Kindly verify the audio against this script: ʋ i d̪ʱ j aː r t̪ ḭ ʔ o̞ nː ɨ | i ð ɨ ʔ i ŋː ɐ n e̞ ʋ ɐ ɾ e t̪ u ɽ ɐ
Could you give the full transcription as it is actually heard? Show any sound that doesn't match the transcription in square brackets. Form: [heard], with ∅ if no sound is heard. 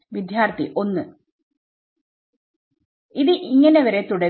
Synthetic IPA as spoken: ʋ i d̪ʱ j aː r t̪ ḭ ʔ o̞ nː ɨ | i ð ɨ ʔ i ŋː ɐ n e̞ ʋ ɐ ɾ e t̪ u ɽ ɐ

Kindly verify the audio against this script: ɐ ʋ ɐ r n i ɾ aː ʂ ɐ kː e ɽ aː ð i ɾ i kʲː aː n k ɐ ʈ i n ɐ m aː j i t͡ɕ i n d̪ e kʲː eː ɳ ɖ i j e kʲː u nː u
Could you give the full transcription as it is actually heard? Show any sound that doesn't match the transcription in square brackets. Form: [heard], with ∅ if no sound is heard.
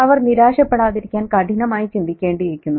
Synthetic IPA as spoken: ɐ ʋ ɐ r n i ɾ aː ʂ ɐ [pː] e ɽ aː ð i ɾ i kʲː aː n k ɐ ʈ i n ɐ m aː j i t͡ɕ i n d̪ [i] kʲː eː ɳ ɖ i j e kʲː u nː u

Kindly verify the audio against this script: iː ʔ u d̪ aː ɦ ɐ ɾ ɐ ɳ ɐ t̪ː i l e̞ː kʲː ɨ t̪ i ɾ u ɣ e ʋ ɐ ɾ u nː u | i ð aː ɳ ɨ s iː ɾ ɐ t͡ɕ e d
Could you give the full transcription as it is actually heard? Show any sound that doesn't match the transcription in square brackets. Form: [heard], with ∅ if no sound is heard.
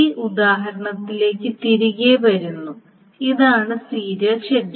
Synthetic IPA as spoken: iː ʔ u d̪ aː ɦ ɐ ɾ ɐ ɳ ɐ t̪ː i l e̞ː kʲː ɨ t̪ i ɾ u ɣ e ʋ ɐ ɾ u nː u | i ð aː ɳ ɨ s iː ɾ ɐ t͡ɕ e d

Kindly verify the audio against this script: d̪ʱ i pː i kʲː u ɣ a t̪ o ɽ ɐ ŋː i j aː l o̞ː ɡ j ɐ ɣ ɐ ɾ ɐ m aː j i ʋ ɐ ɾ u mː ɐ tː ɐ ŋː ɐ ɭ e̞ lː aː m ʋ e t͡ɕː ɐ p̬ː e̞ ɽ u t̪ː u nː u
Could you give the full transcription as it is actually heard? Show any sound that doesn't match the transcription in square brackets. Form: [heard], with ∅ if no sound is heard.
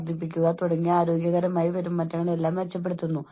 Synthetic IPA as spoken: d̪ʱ i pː i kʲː u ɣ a t̪ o ɽ ɐ ŋː i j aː [ɾ] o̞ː ɡ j ɐ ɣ ɐ ɾ ɐ m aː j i ʋ ɐ ɾ u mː ɐ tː ɐ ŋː ɐ ɭ e̞ lː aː m ʋ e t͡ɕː ɐ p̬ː e̞ ɽ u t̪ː u nː u

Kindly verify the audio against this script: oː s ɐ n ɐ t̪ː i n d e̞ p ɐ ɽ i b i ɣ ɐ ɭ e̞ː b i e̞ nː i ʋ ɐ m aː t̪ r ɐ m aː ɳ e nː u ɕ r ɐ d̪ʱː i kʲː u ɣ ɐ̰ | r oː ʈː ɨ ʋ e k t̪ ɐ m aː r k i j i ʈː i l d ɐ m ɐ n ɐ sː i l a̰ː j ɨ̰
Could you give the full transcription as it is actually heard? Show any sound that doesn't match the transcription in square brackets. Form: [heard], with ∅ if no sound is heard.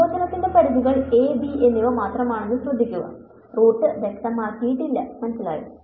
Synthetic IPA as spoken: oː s ɐ n ɐ t̪ː i n d e̞ p ɐ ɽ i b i ɣ ɐ ɭ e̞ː b i e̞ nː i ʋ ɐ m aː t̪ r ɐ m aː ɳ e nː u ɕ r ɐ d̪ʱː i kʲː u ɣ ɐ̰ | r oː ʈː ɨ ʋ e k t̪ ɐ m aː r k i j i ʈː i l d ɐ m ɐ n ɐ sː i l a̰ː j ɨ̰

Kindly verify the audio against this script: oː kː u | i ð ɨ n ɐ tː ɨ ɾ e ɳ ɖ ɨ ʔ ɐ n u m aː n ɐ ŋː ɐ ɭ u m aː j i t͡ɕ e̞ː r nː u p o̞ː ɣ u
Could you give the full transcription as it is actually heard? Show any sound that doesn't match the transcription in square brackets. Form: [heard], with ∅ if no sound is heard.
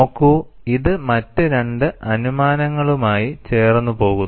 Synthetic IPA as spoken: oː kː u | i ð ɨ [m] ɐ tː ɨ ɾ e ɳ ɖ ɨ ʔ ɐ n u m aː n ɐ ŋː ɐ ɭ u m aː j i t͡ɕ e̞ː r nː u p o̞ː ɣ u

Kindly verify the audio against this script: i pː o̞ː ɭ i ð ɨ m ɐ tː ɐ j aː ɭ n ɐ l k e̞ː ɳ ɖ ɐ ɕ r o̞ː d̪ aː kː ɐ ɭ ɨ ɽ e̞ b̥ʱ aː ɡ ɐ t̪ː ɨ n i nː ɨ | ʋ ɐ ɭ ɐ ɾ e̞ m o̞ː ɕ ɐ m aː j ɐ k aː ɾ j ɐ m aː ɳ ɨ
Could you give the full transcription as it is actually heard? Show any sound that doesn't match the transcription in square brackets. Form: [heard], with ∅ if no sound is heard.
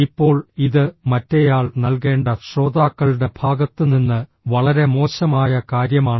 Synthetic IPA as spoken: i pː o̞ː ɭ i ð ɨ m ɐ tː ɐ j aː ɭ n ɐ l k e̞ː ɳ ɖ ɐ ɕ r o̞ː d̪ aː kː ɐ ɭ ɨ ɽ e̞ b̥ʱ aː ɡ ɐ t̪ː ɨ n i nː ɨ | ʋ ɐ ɭ ɐ ɾ e̞ m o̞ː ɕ ɐ m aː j ɐ k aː ɾ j ɐ m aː ɳ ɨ

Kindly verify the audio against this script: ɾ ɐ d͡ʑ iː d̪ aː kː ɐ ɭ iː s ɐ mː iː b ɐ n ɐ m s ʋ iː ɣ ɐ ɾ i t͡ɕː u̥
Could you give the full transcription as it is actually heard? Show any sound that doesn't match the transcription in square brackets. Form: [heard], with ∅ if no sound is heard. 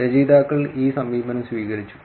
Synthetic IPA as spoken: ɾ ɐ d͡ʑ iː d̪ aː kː ɐ ɭ iː s ɐ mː iː b ɐ n ɐ m s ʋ iː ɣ ɐ ɾ i t͡ɕː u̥

